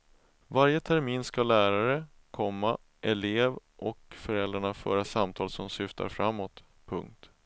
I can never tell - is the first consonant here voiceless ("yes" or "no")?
no